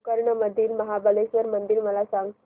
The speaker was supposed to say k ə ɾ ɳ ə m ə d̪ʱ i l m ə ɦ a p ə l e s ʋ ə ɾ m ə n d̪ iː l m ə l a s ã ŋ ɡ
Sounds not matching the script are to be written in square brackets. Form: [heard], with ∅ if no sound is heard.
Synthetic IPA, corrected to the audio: k ə ɾ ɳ ə m ə d̪ʱ [iː] l m ə ɦ a [b] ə l e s ʋ ə ɾ m ə n d̪ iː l m ə l a s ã ŋ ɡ